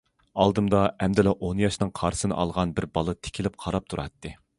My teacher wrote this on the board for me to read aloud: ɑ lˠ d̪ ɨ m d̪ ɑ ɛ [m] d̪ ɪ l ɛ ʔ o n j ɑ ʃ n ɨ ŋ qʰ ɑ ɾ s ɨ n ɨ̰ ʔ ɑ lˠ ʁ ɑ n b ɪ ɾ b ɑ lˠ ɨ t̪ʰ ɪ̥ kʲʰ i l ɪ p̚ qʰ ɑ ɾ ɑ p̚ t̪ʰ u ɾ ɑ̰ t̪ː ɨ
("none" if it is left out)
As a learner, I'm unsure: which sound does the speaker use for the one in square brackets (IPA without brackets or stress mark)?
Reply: m